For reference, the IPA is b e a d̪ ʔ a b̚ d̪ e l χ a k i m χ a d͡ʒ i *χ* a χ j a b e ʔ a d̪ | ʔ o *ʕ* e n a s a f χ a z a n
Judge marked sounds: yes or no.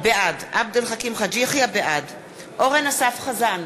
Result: no, no

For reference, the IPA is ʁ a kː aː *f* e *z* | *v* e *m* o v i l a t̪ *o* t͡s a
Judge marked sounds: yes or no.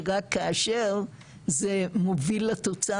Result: no, no, no, yes, yes

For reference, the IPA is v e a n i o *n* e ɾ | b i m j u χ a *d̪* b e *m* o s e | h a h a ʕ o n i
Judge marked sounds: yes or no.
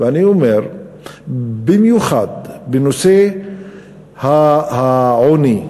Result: no, yes, no

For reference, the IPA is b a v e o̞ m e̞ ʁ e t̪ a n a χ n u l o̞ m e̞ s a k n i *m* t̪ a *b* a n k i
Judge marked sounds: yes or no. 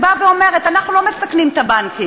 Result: yes, yes

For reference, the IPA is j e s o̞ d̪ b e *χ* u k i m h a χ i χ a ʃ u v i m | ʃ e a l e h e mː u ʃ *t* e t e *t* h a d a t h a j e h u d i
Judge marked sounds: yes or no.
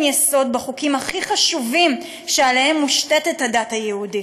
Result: yes, yes, yes

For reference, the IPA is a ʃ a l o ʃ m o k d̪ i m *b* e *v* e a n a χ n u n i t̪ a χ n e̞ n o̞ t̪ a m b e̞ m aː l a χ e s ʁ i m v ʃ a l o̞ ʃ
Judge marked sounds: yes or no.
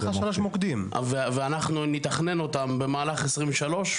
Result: no, yes

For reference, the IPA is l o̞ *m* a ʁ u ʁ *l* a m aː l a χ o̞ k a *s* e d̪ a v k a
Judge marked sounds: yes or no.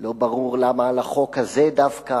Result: no, yes, no

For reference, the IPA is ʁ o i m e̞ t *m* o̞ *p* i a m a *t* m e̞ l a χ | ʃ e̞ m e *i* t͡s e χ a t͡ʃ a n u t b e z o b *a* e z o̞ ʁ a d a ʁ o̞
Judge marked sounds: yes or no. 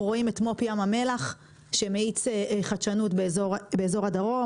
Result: yes, yes, no, yes, no

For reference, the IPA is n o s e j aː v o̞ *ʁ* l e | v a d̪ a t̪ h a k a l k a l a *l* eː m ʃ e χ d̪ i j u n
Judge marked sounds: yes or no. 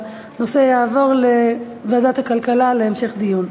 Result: yes, yes

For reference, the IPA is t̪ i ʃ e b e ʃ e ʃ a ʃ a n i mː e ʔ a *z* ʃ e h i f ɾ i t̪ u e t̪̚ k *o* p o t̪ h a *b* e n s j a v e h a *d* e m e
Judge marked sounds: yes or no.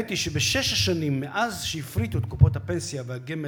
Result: yes, no, no, no

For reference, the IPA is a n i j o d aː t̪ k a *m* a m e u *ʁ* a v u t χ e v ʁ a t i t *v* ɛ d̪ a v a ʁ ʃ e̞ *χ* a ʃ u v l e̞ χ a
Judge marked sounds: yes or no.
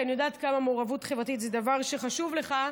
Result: yes, yes, no, yes

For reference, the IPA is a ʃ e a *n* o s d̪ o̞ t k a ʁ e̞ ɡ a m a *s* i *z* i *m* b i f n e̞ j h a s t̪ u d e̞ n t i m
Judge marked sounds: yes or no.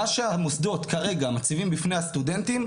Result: no, no, no, yes

